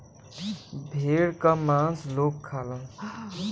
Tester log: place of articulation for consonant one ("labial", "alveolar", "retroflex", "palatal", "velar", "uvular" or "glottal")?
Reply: labial